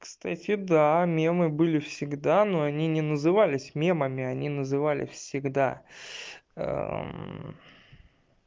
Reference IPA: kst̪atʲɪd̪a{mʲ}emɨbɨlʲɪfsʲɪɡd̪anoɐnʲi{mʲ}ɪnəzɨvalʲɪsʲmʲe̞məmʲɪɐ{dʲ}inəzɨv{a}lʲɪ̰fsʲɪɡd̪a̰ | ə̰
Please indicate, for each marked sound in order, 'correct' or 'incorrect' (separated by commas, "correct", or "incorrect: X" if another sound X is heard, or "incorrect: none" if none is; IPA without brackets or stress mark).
correct, incorrect: nʲ, incorrect: nʲ, correct